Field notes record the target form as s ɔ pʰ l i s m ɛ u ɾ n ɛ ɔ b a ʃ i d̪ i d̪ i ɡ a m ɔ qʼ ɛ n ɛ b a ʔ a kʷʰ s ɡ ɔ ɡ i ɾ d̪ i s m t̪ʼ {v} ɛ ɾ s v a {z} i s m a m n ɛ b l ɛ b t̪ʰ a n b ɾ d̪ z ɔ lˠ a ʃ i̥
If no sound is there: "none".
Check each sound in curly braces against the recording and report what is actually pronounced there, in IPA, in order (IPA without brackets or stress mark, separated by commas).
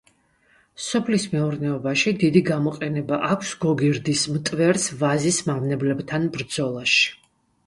v, z